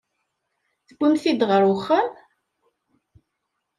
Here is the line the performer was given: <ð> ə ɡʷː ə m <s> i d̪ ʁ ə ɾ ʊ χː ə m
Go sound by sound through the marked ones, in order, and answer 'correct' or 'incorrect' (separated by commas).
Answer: incorrect, incorrect